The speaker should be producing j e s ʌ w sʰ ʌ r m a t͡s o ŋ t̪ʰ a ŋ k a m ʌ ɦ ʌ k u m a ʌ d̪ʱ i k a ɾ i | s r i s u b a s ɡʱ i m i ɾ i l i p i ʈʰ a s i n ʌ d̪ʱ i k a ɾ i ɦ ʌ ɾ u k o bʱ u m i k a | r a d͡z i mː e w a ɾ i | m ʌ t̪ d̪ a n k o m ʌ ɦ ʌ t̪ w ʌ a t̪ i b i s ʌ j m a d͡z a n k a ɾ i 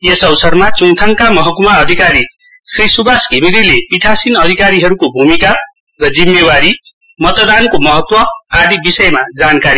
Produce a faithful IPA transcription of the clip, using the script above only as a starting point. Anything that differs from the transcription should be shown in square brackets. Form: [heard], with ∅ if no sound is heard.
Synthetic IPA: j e s ʌ w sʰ ʌ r m a t͡s [u] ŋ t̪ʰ a ŋ k a m ʌ ɦ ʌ k u m a ʌ d̪ʱ i k a ɾ i | s r i s u b a s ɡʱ i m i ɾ i l [e] p i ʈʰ a s i n ʌ d̪ʱ i k a ɾ i ɦ ʌ ɾ u k o bʱ u m i k a | r [ʌ] d͡z i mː e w a ɾ i | m ʌ t̪ d̪ a n k o m ʌ ɦ ʌ t̪ w ʌ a [d̪] i b i s ʌ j m a d͡z a n k a ɾ i